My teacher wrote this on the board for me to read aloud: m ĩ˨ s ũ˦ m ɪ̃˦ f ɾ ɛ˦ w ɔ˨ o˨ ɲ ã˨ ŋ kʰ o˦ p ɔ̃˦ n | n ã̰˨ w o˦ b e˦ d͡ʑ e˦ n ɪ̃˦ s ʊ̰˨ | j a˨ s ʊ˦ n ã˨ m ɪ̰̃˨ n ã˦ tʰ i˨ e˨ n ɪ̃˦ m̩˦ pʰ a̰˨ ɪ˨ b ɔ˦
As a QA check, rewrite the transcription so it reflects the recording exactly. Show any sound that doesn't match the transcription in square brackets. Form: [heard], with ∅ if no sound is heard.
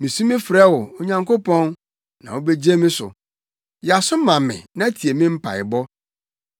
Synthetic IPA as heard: m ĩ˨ s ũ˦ m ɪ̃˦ f ɾ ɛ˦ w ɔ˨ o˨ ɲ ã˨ ŋ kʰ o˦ p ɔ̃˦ n | n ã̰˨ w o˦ b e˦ d͡ʑ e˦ [m] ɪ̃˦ s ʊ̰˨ | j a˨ s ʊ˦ [m] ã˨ m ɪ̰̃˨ n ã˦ tʰ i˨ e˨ [m] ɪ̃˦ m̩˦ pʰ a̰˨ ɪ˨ b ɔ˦